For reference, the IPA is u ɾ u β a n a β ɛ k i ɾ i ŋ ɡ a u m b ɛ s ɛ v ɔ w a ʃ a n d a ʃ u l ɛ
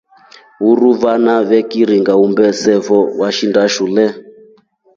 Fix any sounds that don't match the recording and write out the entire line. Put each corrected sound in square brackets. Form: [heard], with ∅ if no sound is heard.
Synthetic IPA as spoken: u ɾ u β a n a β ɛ k i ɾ i ŋ ɡ a u m b ɛ s ɛ v ɔ w a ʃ [i] n d a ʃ u l ɛ